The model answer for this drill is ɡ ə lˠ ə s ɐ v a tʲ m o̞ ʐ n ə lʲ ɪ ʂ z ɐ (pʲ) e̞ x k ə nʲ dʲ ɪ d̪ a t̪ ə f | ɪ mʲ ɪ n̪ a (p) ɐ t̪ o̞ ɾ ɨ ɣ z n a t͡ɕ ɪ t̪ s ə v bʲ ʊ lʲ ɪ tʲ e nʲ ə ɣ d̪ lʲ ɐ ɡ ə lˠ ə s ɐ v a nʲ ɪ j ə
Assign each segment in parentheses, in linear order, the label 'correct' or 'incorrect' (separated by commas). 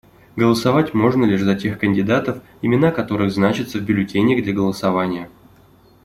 incorrect, incorrect